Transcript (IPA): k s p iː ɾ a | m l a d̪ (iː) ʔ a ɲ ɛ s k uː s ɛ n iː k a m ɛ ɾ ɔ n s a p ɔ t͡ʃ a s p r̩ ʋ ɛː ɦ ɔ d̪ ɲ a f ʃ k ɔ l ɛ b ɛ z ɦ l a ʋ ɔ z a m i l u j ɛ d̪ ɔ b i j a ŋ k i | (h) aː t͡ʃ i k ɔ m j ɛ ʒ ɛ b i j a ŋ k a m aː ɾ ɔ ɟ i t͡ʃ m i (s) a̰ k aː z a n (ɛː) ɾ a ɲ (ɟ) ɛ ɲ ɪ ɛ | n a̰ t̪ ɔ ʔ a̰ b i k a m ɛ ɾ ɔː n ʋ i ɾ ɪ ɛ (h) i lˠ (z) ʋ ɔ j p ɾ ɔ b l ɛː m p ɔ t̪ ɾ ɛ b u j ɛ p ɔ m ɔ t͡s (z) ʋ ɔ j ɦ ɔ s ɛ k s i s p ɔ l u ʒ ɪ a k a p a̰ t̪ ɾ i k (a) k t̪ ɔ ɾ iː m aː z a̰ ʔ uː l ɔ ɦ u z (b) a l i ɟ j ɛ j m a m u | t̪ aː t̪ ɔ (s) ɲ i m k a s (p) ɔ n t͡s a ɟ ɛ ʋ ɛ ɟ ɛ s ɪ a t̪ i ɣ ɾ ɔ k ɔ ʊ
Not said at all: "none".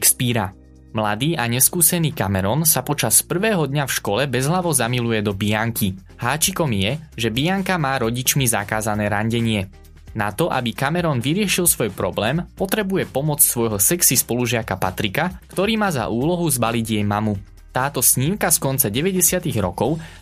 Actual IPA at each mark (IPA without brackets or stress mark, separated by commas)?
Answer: iː, h, z, ɛː, ɟ, ʃ, s, s, a, b, s, k